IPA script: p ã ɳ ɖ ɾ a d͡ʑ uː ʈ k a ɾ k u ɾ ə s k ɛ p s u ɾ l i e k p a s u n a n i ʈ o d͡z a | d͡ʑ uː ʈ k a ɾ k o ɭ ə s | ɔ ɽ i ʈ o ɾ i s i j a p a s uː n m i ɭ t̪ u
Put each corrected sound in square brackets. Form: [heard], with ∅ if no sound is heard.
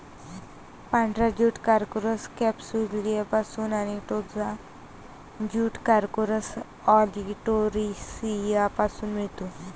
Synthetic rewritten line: p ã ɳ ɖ ɾ a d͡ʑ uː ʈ k a ɾ k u ɾ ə s k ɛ p s u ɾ l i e [∅] p a s [uː] n a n i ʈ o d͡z a | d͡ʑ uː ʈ k a ɾ k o [ɾ] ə s | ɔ [l] i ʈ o ɾ i s i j a p a s uː n m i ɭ t̪ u

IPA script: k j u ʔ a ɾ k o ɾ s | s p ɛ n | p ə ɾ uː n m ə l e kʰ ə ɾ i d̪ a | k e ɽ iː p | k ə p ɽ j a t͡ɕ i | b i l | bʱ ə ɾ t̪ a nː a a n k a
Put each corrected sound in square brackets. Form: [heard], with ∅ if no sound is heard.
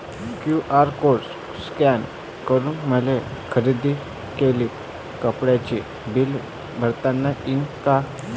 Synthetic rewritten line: k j u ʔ a ɾ k o ɾ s | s [k] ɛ n | [k] ə ɾ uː n m ə l e kʰ ə ɾ i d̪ [i] | k e [l] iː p | k ə p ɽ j a t͡ɕ i | b i l | bʱ ə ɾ t̪ a nː a [i] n k a

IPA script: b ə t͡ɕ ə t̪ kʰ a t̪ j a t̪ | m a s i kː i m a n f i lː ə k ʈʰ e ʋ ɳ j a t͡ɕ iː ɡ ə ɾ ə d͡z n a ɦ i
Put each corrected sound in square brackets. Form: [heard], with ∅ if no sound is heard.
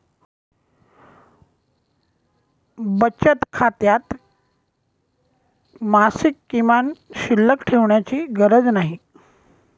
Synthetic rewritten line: b ə t͡ɕ ə t̪ kʰ a t̪ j a t̪ | m a s i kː i m a n [ɕ] i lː ə k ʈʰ e ʋ ɳ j a t͡ɕ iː ɡ ə ɾ ə d͡z n a ɦ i

